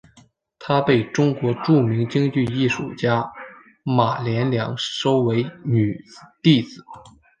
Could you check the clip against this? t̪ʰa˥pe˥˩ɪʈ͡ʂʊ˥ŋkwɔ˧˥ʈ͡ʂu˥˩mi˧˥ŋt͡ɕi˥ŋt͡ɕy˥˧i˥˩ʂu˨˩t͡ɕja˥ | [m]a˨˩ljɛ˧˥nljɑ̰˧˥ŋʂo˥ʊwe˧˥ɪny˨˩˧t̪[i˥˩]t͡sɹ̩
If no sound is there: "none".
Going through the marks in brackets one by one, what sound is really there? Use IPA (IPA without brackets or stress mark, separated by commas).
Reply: m, i˥˩